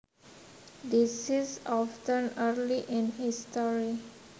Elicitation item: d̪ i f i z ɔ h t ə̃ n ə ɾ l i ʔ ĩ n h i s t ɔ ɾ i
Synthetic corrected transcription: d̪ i s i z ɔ f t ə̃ n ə ɾ l i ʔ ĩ n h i s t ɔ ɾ i